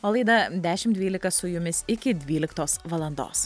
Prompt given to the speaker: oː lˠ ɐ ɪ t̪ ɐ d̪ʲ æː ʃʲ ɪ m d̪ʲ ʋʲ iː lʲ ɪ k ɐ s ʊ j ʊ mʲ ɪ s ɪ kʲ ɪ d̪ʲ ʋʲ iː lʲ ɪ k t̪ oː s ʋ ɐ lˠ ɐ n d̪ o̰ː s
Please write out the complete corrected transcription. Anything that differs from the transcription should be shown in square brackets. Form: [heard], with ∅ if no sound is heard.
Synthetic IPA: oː lˠ ɐ ɪ [d̪] ɐ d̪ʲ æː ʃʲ ɪ m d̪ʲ ʋʲ iː lʲ ɪ k ɐ s ʊ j ʊ mʲ ɪ s ɪ kʲ ɪ d̪ʲ ʋʲ iː lʲ ɪ k t̪ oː s ʋ ɐ lˠ ɐ n d̪ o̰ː s

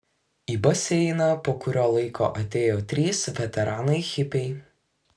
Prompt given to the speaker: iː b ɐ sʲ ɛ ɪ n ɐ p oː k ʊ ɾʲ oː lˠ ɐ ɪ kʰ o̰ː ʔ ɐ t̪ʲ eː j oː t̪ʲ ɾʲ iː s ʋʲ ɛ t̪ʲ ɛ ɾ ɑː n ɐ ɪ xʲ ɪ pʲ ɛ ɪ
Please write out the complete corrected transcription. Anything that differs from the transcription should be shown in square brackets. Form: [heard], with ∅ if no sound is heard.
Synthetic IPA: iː b ɐ sʲ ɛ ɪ n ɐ p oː k ʊ ɾʲ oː lˠ ɐ ɪ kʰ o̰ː ʔ ɐ t̪ʲ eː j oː t̪ʲ ɾʲ iː s ʋʲ ɛ t̪ʲ ɛ ɾ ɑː n ɐ ɪ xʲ ɪ pʲ ɛ ɪ

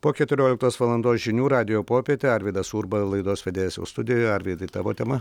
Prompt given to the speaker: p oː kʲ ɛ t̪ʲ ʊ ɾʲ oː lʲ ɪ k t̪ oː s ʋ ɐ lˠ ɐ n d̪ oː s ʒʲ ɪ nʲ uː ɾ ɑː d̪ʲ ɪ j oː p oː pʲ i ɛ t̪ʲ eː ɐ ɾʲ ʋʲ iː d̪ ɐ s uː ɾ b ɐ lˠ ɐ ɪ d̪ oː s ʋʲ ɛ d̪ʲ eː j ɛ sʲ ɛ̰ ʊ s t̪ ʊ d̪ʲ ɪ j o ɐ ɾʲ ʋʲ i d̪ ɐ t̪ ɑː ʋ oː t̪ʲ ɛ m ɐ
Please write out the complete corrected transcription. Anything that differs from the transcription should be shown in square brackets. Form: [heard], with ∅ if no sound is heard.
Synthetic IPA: p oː kʲ ɛ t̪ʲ ʊ ɾʲ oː lʲ ɪ k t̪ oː s ʋ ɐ lˠ ɐ n d̪ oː s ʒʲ ɪ nʲ uː ɾ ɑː d̪ʲ ɪ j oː p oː pʲ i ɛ t̪ʲ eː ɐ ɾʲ ʋʲ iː d̪ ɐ s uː ɾ b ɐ lˠ ɐ ɪ d̪ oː s ʋʲ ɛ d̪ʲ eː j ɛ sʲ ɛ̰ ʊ s t̪ ʊ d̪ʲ ɪ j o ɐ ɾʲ ʋʲ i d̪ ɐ t̪ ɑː ʋ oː t̪ʲ ɛ m ɐ

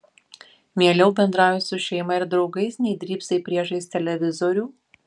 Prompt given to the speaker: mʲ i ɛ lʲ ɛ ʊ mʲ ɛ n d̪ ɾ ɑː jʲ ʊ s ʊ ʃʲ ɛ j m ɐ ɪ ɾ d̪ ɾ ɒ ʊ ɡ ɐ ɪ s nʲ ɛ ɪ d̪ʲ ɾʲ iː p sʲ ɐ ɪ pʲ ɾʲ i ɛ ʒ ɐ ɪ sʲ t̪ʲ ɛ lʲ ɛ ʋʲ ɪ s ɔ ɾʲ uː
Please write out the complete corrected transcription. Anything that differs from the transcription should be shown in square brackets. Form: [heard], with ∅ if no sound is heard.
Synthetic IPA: mʲ i ɛ lʲ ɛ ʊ [bʲ] ɛ n d̪ ɾ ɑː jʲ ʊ s ʊ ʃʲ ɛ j m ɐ ɪ ɾ d̪ ɾ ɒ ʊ ɡ ɐ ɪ s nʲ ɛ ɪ d̪ʲ ɾʲ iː p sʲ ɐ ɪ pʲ ɾʲ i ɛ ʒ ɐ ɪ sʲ t̪ʲ ɛ lʲ ɛ ʋʲ ɪ [z] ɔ ɾʲ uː

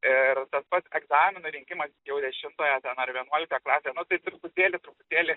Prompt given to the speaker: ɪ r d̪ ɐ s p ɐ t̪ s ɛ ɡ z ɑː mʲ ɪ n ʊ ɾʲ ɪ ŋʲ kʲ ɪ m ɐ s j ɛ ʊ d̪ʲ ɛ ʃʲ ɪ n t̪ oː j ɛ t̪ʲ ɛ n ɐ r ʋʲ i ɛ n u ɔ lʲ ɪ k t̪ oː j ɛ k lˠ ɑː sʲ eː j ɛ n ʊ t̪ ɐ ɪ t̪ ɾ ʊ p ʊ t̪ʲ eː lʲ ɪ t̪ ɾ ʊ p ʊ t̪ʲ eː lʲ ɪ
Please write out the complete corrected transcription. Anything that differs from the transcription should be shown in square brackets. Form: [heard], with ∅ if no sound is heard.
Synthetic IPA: ɪ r [t̪] ɐ s p ɐ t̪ s ɛ ɡ z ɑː mʲ ɪ n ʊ ɾʲ ɪ ŋʲ kʲ ɪ m ɐ s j ɛ ʊ d̪ʲ ɛ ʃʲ ɪ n t̪ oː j ɛ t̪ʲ ɛ n ɐ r ʋʲ i ɛ n u ɔ lʲ ɪ k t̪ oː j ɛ k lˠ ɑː sʲ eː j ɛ n ʊ t̪ ɐ ɪ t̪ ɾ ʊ p ʊ t̪ʲ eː lʲ ɪ t̪ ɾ ʊ p ʊ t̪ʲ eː lʲ ɪ

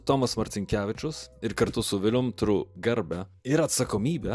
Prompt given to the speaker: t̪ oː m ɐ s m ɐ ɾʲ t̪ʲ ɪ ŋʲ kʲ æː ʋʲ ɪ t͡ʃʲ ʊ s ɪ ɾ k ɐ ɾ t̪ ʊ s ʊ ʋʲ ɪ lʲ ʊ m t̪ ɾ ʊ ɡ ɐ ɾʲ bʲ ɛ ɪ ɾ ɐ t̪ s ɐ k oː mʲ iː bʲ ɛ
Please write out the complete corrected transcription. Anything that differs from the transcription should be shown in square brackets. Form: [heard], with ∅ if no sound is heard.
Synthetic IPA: t̪ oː m ɐ s m ɐ ɾʲ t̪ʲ ɪ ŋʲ kʲ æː ʋʲ ɪ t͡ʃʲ ʊ s ɪ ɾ k ɐ ɾ t̪ ʊ s ʊ ʋʲ ɪ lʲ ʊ m t̪ ɾ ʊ ɡ ɐ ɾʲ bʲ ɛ ɪ ɾ ɐ t̪ s ɐ k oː mʲ iː bʲ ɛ

